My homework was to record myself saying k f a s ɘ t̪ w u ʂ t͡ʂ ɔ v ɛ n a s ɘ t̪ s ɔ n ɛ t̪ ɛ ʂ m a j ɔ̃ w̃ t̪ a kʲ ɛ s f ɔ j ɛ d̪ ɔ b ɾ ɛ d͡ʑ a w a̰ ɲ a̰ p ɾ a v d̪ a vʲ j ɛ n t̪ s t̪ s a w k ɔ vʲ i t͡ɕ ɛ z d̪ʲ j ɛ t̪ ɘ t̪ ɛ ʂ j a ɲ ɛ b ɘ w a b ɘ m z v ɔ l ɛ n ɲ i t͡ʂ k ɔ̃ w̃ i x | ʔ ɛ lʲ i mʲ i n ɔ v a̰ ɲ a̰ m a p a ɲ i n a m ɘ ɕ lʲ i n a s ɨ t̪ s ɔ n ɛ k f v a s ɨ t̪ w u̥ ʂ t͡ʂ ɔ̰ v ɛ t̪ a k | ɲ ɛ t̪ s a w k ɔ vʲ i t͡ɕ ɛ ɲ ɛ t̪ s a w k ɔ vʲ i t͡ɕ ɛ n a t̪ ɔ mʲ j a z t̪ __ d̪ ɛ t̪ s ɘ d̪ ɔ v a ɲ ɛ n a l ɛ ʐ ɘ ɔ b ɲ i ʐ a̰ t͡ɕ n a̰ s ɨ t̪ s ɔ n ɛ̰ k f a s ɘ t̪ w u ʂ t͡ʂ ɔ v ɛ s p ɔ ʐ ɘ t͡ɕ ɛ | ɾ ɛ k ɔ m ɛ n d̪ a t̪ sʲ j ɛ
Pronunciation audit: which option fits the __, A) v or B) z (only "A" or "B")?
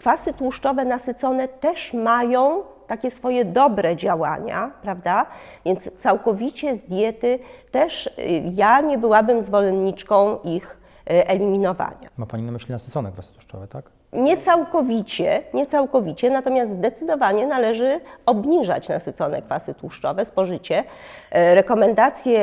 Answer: B